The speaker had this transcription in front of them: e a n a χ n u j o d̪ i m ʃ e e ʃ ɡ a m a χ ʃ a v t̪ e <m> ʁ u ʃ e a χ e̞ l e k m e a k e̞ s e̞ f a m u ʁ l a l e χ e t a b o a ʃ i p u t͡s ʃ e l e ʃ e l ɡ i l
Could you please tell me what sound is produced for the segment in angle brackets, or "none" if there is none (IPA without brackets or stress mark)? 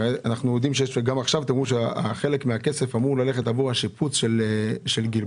m